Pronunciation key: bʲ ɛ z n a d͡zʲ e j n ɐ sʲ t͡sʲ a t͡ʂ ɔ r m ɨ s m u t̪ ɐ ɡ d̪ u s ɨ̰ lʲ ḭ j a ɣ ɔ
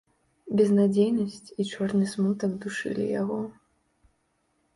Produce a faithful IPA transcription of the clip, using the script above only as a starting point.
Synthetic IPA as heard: bʲ ɛ z n a d͡zʲ e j n ɐ sʲ t͡sʲ i t͡ʂ ɔ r n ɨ s m u t̪ ɐ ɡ d̪ u ʂ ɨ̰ lʲ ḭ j a ɣ ɔ